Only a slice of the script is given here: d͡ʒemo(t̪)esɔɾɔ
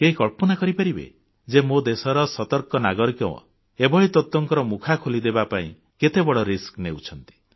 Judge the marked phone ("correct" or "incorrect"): incorrect